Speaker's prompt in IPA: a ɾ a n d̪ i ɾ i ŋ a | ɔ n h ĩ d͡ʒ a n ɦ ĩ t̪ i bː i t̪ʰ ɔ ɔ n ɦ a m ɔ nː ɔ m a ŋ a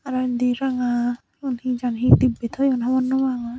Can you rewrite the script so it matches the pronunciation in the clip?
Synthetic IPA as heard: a ɾ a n d̪ i ɾ a ŋ a | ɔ n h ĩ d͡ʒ a n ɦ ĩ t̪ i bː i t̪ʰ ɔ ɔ n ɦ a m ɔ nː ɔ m a ŋ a